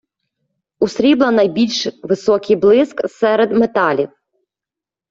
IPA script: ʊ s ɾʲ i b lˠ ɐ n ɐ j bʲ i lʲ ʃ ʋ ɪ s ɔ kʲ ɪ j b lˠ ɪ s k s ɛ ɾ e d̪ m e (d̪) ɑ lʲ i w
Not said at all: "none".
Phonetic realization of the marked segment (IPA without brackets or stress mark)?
t̪